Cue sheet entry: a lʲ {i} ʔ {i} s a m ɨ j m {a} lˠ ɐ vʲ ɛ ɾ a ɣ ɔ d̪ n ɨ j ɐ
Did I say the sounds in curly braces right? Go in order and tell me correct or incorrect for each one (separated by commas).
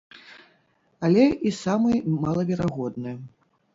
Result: incorrect, correct, correct